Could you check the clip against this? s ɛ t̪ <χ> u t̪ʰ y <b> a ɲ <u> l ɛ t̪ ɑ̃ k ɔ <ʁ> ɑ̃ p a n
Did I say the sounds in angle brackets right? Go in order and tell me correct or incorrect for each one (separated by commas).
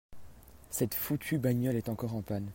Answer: incorrect, correct, incorrect, correct